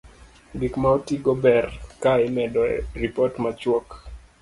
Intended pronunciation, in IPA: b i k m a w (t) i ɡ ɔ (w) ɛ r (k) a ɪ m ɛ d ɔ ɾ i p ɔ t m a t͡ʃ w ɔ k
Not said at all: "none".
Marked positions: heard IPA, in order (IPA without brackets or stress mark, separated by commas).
t, b, k